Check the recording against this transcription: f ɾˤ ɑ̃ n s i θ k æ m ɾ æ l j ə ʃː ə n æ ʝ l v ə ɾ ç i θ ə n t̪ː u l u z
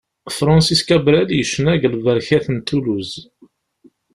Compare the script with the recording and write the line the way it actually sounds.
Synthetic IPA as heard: f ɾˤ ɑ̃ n s i s k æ b ɾ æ l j ə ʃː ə n æ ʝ l v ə ɾ ç æ θ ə n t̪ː u l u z